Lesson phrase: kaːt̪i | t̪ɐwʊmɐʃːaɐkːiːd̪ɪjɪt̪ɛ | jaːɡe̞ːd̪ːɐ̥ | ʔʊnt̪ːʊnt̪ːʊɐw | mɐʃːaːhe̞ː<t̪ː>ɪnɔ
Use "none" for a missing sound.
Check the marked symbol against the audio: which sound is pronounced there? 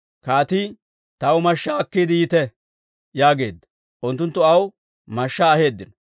d̪ː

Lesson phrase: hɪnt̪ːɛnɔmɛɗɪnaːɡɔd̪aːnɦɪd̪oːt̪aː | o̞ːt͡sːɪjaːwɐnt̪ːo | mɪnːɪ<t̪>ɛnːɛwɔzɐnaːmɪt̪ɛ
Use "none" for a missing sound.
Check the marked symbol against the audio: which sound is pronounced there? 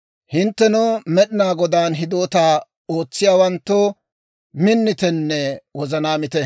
t̪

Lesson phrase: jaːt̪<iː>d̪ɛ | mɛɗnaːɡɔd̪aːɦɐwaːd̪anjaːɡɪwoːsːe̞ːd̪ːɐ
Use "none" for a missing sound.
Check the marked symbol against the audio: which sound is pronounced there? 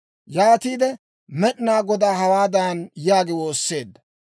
iː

